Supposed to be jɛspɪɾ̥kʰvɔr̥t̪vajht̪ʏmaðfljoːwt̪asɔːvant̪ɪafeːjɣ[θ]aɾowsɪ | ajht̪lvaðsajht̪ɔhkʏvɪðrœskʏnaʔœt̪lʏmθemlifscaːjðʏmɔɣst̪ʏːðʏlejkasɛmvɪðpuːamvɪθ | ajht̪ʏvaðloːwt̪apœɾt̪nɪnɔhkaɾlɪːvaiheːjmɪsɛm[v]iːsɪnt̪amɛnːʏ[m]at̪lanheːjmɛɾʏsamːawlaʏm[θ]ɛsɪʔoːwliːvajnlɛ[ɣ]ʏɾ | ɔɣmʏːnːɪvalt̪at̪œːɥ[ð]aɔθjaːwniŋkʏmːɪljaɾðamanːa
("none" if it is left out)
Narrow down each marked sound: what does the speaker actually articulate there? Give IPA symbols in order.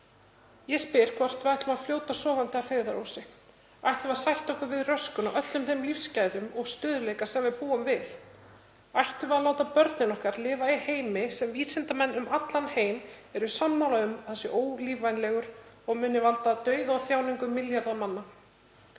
ð, v, m, θ, ɣ, ð

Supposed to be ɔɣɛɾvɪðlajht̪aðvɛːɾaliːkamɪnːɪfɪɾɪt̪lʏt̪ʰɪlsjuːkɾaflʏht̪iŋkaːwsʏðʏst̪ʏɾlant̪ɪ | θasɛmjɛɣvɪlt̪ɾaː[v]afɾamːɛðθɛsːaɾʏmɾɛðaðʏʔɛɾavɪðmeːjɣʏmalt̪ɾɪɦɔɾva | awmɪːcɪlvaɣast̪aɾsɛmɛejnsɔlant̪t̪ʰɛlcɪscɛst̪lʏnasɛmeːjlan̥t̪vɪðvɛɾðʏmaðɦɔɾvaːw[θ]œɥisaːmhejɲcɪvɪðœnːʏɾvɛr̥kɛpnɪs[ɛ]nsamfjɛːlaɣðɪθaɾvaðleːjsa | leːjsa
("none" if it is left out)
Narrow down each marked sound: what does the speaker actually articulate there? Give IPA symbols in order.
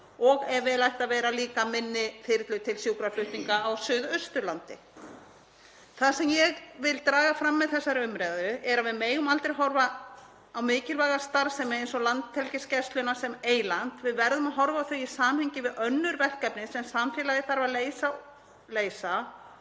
ɣ, θ, ɛ

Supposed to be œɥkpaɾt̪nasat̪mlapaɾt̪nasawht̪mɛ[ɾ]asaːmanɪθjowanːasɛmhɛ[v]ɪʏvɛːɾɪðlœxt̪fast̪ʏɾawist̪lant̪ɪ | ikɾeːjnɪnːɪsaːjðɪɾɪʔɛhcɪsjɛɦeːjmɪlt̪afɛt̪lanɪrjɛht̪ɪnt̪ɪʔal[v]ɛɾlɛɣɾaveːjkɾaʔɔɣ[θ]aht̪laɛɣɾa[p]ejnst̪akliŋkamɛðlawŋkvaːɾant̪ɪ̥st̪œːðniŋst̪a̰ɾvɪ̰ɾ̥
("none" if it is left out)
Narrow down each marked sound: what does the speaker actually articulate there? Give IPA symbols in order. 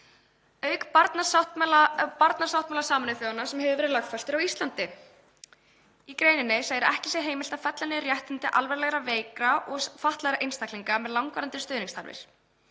l, v, v, f, ʔ

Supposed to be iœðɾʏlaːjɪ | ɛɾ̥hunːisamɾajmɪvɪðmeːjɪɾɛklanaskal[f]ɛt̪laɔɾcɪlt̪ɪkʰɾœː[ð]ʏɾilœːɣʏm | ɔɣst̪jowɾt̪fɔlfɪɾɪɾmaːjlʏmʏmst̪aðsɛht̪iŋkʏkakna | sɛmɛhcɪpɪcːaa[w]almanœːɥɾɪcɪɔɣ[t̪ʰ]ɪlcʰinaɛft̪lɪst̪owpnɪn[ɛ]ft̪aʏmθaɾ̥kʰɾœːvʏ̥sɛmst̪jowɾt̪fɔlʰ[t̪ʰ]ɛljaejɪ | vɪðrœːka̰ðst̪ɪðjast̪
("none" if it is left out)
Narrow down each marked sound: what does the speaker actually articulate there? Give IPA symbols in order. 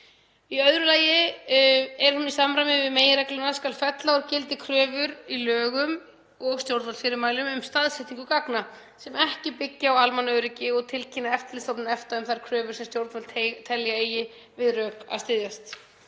f, v, w, t̪ʰ, ɛ, t̪ʰ

